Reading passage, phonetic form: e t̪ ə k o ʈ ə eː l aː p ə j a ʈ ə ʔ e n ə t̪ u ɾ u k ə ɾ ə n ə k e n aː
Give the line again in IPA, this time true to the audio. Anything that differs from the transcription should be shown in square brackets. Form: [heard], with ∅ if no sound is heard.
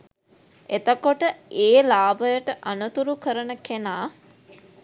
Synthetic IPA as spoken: e t̪ ə k o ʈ ə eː l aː [b] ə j [ə] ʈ ə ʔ [a] n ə t̪ u ɾ u k ə ɾ ə n ə k e n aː